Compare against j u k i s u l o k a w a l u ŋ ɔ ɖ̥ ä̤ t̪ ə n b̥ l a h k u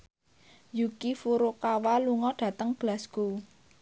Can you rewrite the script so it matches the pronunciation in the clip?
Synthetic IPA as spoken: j u k i f u ɾ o k a w a l u ŋ ɔ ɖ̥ ä̤ t̪ ə ŋ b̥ l a s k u